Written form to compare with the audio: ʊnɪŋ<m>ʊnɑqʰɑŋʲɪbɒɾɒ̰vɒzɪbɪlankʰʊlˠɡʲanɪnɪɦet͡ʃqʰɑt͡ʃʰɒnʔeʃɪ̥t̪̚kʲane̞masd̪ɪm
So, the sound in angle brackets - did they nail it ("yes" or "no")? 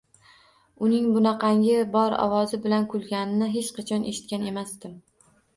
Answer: no